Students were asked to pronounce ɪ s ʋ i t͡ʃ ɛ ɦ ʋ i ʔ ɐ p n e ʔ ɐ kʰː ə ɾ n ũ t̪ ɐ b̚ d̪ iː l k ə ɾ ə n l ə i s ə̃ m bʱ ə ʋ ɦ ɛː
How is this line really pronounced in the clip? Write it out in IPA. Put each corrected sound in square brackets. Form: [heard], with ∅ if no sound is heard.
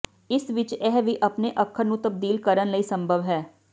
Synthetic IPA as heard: ɪ s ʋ [ɪ] t͡ʃ ɛ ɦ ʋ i ʔ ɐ p n e ʔ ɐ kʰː ə ɾ n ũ t̪ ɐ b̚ d̪ iː l k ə ɾ ə n l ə i s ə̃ m bʱ ə ʋ ɦ ɛː